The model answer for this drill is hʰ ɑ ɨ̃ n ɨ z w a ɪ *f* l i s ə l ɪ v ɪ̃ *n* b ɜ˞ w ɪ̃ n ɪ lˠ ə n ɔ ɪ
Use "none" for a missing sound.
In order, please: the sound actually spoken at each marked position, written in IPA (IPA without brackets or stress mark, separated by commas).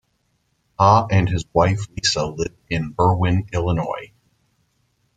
f, n